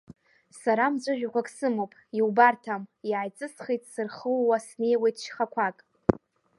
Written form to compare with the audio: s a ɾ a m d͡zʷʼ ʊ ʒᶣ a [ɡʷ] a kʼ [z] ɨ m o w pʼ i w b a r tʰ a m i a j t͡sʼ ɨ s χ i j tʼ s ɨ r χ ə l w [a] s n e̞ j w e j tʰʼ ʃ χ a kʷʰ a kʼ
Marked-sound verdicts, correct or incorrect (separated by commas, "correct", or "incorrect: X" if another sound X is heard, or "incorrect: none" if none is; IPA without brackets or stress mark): incorrect: kʷ, incorrect: s, correct